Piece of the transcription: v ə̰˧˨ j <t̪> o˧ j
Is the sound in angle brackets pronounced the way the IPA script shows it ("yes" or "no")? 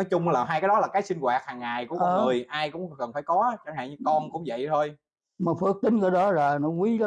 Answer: no